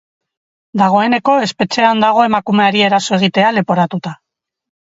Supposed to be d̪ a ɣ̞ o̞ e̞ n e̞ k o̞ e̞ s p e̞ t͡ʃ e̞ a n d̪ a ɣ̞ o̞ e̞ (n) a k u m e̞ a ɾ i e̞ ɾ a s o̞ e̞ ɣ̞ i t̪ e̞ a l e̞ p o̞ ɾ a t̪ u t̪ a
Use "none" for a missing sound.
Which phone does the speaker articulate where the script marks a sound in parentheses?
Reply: m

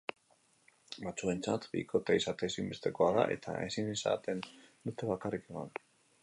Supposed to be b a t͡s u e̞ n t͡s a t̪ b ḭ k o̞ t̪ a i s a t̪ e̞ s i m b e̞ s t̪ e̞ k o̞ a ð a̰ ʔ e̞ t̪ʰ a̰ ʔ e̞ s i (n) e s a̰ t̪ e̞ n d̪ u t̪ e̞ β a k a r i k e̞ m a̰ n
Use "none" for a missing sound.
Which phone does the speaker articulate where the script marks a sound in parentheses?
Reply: n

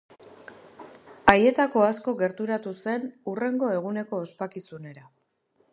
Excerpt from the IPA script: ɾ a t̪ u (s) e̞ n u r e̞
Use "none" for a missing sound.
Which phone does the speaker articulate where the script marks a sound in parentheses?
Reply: s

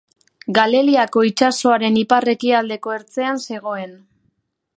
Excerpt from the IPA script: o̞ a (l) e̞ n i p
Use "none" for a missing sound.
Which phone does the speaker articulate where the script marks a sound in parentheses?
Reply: ɾ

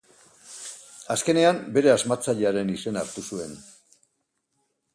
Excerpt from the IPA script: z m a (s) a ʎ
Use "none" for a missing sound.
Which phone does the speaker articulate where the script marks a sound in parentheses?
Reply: t͡s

